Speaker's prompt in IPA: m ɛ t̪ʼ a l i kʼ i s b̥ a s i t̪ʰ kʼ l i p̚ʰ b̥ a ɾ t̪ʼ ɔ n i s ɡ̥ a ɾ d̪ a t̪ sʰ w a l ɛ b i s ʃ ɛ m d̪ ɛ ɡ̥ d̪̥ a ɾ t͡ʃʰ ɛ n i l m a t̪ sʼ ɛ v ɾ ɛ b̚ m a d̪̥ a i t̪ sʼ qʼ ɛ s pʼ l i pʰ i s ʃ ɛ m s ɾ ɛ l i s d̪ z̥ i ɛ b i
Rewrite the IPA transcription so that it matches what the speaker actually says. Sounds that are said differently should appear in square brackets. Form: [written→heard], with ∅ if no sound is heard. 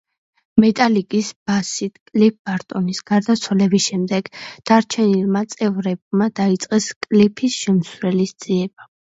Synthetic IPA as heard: m ɛ t̪ʼ a l i kʼ i s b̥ a s i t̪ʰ kʼ l i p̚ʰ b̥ a ɾ t̪ʼ ɔ n i s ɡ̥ a ɾ d̪ a t̪ sʰ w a l ɛ b i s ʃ ɛ m d̪ ɛ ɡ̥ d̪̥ a ɾ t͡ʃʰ ɛ n i l m a t̪ sʼ ɛ v ɾ ɛ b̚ m a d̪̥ a i t̪ sʼ qʼ ɛ s [pʼ→kʼ] l i pʰ i s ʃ ɛ m s ɾ ɛ l i s d̪ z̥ i ɛ b [i→a]